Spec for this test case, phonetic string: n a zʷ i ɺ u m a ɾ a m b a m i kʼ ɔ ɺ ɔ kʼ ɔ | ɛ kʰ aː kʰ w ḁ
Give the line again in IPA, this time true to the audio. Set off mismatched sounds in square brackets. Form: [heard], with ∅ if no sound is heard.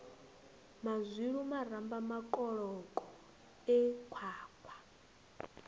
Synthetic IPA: [m] a zʷ i ɺ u m a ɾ a m b a m [a] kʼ ɔ ɺ ɔ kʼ ɔ | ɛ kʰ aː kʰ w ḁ